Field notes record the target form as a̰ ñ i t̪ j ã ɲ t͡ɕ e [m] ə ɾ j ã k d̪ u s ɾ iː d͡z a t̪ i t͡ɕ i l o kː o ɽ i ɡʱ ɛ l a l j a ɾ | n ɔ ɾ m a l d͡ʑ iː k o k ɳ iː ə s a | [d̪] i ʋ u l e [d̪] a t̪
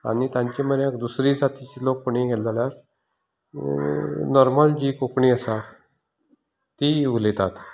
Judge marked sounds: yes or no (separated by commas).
yes, no, no